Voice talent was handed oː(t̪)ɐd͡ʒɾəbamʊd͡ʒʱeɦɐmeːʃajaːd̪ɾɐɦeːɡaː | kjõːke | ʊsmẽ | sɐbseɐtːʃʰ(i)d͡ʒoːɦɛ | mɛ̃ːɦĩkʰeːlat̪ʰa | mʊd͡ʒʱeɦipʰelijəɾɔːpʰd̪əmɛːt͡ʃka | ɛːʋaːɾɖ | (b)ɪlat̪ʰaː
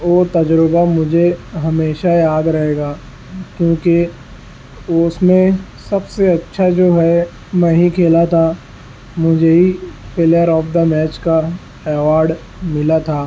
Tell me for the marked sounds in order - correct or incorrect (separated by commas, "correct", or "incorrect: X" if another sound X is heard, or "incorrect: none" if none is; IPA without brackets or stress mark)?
correct, incorrect: a, incorrect: m